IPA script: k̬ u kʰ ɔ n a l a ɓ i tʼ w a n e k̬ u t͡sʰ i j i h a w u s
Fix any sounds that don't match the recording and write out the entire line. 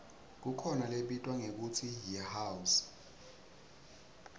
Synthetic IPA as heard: k̬ u kʰ ɔ n a l e ɓ i tʼ w a ŋ e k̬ u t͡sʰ i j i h a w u s